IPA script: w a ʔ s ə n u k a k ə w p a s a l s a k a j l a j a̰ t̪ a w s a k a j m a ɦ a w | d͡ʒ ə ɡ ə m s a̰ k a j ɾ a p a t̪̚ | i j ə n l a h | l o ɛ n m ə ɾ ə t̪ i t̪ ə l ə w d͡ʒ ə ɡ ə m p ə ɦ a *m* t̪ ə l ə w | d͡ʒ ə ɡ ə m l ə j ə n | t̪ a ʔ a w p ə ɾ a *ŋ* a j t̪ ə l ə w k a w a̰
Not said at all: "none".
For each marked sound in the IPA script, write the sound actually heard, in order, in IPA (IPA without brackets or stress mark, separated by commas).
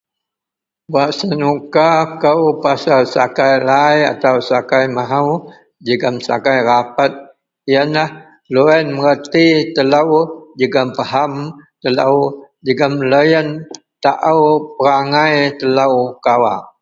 m, ŋ